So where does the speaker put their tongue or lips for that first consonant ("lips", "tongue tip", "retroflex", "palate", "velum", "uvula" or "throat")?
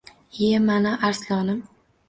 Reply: lips